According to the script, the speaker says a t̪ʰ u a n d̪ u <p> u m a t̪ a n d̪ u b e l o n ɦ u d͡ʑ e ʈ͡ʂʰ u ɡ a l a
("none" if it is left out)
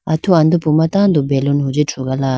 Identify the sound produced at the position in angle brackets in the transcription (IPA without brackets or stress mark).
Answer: p